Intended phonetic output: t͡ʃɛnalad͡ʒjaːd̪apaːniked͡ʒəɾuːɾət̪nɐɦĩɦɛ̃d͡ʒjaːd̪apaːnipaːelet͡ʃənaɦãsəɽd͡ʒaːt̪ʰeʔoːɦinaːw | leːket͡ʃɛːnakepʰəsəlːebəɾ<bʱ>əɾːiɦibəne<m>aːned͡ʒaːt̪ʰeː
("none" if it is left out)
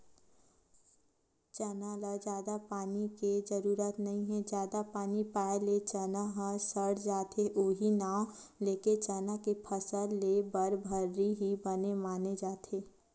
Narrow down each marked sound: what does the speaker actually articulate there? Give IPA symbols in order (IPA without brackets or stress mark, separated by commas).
bʱ, m